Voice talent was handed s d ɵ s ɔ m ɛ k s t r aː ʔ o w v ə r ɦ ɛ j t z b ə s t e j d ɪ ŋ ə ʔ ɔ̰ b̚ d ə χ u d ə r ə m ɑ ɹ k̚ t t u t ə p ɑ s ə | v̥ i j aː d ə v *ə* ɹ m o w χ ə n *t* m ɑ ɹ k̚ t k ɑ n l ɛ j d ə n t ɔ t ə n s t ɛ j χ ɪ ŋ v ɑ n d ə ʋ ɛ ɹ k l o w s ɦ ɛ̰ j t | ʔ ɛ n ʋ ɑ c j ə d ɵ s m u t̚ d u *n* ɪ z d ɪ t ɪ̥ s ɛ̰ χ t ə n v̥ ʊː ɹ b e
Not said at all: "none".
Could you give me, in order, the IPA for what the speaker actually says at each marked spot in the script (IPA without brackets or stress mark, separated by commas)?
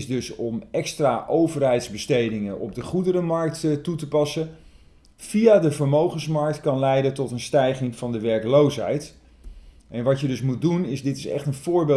ə, s, n